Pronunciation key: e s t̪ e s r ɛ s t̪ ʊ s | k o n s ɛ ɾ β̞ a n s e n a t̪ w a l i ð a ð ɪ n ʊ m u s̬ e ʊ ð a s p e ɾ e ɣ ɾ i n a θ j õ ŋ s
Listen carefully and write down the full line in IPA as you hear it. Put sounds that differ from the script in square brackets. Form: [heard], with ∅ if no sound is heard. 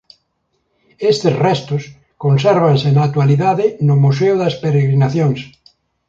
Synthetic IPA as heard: e s t̪ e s r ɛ s t̪ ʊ s | k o n s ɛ ɾ β̞ a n s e n a t̪ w a l i ð a ð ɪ n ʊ m u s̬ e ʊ ð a s p e ɾ e ɣ ɾ i n a θ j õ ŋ s